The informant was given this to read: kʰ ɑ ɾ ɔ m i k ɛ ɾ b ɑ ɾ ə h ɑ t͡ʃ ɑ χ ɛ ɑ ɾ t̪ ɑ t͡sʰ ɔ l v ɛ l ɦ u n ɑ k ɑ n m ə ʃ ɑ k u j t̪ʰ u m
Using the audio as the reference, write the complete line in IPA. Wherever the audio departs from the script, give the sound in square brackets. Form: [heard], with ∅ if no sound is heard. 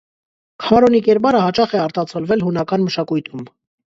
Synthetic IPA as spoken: kʰ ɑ ɾ ɔ [n] i k ɛ ɾ b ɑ ɾ ə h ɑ t͡ʃ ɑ χ ɛ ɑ ɾ t̪ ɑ t͡sʰ ɔ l v ɛ l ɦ u n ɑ k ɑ n m ə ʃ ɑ k u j t̪ʰ u m